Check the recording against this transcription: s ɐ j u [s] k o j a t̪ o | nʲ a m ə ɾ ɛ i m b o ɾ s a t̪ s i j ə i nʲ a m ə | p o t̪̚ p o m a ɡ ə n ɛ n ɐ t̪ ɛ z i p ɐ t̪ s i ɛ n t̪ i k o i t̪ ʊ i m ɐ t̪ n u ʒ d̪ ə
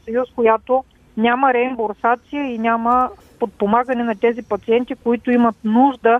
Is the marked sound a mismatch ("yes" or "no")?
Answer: no